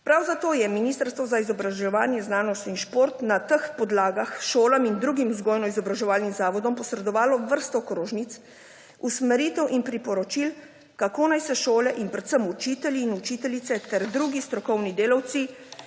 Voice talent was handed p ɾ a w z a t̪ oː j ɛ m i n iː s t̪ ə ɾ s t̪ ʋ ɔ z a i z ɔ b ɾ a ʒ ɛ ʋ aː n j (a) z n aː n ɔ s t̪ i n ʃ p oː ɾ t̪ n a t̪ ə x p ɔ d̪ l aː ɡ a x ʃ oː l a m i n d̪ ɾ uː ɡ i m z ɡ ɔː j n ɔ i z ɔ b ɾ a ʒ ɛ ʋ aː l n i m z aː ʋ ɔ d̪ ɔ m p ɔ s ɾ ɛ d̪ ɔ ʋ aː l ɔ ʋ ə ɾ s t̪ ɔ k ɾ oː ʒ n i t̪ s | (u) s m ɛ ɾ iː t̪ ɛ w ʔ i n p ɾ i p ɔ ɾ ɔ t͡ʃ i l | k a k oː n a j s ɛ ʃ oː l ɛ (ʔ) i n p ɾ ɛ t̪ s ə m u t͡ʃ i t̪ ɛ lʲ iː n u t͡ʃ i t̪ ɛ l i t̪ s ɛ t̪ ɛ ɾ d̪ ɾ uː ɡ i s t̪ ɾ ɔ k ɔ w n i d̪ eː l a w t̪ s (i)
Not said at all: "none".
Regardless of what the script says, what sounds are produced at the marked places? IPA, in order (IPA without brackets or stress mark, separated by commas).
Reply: ɛ, u, ʔ, i